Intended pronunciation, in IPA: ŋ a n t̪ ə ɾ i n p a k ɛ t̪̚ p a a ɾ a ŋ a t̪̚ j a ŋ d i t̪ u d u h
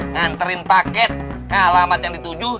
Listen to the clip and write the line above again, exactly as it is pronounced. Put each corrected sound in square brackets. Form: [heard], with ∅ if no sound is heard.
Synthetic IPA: ŋ a n t̪ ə ɾ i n p a k ɛ t̪̚ [k] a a [l] a [m] a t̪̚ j a ŋ d i t̪ u [d͡ʒ] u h